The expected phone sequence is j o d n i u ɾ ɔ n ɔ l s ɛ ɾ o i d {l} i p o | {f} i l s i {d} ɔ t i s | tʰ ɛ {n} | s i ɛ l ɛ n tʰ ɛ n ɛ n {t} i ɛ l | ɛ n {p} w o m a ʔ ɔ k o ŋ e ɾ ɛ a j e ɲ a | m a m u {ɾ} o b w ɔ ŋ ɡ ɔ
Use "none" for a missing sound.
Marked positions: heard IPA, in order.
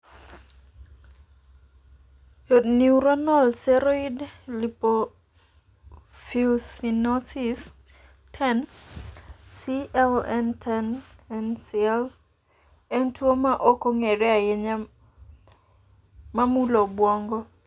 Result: l, f, n, n, s, t, l

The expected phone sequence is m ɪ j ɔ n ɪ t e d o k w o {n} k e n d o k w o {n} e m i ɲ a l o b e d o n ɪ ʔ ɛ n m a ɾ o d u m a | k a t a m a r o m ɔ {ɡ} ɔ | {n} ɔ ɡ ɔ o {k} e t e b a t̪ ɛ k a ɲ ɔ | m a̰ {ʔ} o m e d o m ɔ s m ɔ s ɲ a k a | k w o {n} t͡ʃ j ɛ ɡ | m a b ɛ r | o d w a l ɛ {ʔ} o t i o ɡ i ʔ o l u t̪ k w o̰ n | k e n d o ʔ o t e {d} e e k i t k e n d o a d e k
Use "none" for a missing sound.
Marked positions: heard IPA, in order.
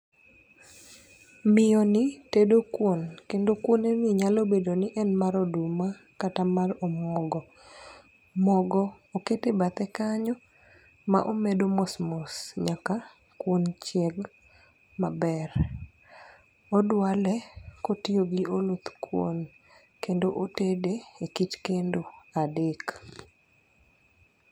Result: n, n, ɡ, m, k, ʔ, n, k, d

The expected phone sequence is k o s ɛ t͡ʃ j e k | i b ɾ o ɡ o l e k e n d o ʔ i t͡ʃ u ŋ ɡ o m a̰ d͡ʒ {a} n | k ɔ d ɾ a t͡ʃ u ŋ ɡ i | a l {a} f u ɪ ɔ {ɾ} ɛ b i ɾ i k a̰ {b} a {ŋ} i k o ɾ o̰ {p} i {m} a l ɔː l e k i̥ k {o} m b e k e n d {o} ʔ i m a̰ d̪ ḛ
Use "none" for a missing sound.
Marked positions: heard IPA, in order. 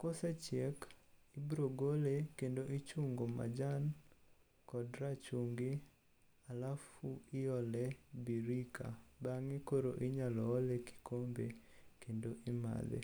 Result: a, a, l, b, ŋ, ʔ, ɲ, o, o

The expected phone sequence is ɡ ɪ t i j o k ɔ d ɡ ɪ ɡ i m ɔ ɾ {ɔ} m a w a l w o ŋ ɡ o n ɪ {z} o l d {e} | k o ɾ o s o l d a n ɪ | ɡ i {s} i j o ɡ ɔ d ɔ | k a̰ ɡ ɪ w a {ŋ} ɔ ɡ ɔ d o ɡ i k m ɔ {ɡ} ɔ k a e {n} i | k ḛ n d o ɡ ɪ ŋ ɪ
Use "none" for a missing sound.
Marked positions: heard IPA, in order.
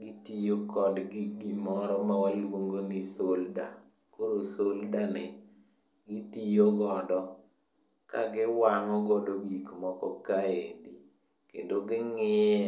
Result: ɔ, s, a, t, ŋ, k, d

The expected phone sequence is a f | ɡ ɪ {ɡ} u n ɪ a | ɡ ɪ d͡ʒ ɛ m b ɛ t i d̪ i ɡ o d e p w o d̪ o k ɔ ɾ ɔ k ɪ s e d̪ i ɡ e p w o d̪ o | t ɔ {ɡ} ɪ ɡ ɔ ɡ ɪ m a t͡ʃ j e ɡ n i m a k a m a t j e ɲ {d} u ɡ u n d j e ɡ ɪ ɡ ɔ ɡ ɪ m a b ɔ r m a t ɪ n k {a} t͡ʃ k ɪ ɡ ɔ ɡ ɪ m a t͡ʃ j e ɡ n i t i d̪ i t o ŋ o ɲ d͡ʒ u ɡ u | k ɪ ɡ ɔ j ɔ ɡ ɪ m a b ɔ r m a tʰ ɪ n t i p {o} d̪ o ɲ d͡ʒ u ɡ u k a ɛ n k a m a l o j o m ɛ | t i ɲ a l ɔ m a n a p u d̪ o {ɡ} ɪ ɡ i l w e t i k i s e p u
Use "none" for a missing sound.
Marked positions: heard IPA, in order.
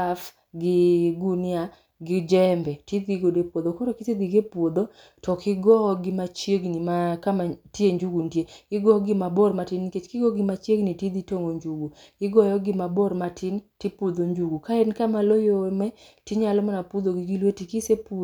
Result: ɡ, k, d͡ʒ, e, u, ɡ

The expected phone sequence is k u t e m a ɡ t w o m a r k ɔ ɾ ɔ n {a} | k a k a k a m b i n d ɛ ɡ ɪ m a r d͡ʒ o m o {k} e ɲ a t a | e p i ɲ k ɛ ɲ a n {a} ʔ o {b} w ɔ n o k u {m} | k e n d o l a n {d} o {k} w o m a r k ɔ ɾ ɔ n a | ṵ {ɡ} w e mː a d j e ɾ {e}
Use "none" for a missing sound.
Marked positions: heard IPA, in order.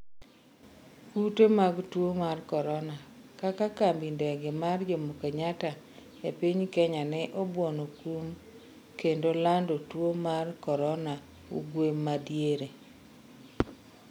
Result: a, k, ɛ, b, m, d, t, ɡ, e

